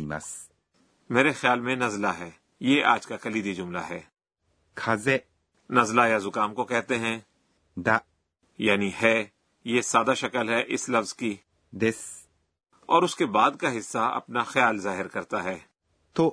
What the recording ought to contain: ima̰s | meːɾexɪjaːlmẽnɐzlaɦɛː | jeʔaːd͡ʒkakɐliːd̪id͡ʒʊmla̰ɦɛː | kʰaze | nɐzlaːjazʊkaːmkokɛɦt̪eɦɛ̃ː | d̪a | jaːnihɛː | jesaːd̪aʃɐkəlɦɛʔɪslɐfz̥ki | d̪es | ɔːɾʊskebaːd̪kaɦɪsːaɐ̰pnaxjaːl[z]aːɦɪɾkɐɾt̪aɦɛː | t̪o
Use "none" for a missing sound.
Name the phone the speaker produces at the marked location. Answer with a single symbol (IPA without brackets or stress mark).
z